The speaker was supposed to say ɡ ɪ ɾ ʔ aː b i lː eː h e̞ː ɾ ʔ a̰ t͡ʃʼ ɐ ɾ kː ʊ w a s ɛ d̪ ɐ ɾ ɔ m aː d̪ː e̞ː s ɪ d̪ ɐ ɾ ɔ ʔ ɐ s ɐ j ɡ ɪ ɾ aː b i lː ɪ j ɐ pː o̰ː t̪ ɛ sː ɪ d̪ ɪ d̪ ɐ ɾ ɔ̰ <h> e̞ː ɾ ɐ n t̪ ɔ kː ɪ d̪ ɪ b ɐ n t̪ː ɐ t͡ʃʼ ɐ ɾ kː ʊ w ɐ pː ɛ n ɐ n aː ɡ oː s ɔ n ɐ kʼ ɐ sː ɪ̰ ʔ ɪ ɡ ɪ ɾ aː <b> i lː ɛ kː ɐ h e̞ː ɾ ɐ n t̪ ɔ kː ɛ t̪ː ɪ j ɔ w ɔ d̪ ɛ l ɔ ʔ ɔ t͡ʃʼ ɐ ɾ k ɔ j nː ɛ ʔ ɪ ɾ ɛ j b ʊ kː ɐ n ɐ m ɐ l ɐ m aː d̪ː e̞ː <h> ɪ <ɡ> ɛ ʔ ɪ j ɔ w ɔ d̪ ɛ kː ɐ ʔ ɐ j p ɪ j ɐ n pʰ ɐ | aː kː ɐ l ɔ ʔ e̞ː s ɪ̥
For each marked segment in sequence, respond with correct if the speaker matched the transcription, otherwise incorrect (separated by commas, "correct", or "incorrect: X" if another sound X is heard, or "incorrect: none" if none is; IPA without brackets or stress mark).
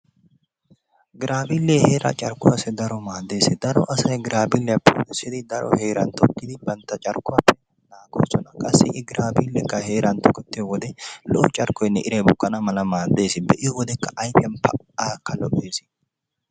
correct, correct, incorrect: s, incorrect: b